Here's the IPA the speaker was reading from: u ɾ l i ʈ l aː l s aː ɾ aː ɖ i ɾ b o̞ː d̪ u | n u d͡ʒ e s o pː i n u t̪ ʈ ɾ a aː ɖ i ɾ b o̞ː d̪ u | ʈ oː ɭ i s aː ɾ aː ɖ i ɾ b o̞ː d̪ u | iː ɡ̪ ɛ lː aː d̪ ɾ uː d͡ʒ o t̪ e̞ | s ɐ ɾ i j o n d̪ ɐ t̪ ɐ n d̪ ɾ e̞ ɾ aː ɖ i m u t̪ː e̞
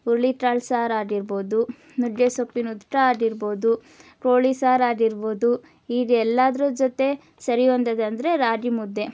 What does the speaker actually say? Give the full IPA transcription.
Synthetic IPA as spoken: u ɾ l i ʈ ɾ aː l s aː ɾ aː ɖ i ɾ b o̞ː d̪ u | n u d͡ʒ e s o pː i n u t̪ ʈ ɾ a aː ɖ i ɾ b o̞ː d̪ u | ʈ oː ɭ i s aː ɾ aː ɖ i ɾ b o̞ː d̪ u | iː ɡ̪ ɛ lː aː d̪ ɾ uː d͡ʒ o t̪ e̞ | s ɐ ɾ i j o n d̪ ɐ d̪ ɐ n d̪ ɾ e̞ ɾ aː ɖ i m u d̪ː e̞